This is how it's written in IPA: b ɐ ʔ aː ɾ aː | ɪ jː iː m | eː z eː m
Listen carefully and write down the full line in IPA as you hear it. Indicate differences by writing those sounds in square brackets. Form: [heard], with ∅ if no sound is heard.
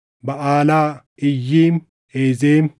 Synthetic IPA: b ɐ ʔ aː [l] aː | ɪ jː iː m | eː z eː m